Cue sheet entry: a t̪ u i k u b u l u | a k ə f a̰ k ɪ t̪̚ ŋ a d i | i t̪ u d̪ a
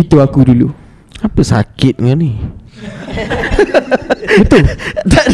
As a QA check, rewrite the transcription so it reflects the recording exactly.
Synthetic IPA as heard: i t̪ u a k u d u l u | a p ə s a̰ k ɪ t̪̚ ŋ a n i | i t̪ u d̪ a